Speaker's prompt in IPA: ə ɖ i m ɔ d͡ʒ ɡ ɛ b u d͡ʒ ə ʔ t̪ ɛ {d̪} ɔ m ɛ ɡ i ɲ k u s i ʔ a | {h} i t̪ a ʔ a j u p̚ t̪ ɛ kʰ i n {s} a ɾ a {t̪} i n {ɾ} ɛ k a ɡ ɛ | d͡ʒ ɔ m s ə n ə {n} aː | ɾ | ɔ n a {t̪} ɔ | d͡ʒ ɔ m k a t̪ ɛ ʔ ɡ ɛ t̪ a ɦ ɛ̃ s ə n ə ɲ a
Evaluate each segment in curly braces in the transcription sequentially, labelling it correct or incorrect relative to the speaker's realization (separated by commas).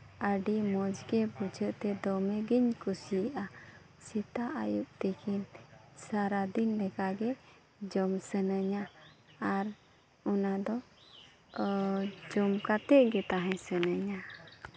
correct, incorrect, correct, incorrect, incorrect, incorrect, incorrect